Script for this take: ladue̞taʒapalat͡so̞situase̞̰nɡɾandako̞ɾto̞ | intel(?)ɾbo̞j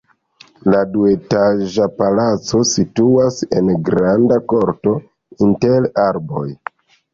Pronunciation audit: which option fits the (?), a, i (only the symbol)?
a